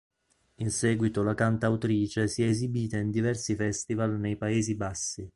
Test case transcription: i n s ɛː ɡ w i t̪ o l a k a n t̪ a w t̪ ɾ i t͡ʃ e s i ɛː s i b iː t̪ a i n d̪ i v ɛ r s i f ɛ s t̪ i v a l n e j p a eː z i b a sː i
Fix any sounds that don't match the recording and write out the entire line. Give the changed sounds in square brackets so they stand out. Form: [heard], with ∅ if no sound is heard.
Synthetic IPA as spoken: i n s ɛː ɡ w i t̪ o l a k a n t̪ a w t̪ ɾ [iː] t͡ʃ e s i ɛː [z] i b iː t̪ a i n d̪ i v ɛ r s i f ɛ s t̪ i v a l n e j p a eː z i b a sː i